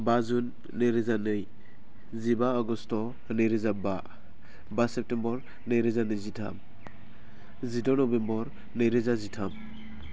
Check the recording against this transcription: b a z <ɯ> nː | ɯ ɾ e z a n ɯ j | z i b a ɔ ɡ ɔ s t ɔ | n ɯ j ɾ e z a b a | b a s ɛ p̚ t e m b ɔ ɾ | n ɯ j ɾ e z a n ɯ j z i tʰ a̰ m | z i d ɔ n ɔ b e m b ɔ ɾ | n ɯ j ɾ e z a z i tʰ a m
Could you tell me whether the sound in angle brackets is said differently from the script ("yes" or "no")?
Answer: yes